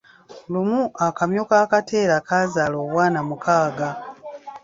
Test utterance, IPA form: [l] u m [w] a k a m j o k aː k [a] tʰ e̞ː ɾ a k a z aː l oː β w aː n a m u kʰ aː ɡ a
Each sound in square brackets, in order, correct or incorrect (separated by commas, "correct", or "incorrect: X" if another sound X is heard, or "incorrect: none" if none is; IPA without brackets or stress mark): correct, incorrect: u, correct